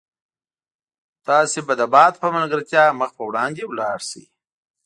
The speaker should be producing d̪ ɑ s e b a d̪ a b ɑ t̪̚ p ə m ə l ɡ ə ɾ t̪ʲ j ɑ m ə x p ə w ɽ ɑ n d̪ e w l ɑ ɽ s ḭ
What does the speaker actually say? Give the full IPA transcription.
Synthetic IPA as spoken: t̪ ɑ s e b a d̪ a b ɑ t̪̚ p ə m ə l ɡ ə ɾ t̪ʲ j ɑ m ə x p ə w ɽ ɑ n d̪ e w l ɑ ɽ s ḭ